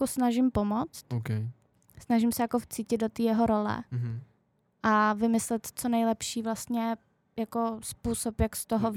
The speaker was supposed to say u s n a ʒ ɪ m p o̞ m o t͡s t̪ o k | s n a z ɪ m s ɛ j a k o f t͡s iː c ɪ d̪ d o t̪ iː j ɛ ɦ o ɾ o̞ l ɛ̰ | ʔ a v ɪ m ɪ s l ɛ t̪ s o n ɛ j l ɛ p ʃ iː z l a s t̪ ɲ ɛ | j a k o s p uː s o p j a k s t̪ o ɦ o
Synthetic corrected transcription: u s n a ʒ ɪ m p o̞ m o t͡s t̪ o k | s n a ʒ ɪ m s ɛ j a k o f t͡s iː c ɪ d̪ d o t̪ iː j ɛ ɦ o ɾ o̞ l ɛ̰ | ʔ a v ɪ m ɪ s l ɛ t̪ t͡s o n ɛ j l ɛ p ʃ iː v l a s t̪ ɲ ɛ | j a k o s p uː s o p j a k s t̪ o ɦ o